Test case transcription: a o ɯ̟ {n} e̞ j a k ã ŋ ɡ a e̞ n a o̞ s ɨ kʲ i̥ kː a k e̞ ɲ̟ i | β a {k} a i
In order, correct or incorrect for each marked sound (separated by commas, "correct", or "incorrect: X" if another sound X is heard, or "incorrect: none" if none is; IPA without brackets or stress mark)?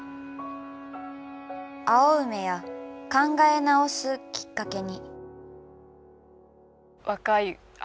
incorrect: m, correct